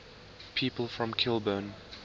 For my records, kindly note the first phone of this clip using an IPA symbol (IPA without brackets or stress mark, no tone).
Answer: pʰ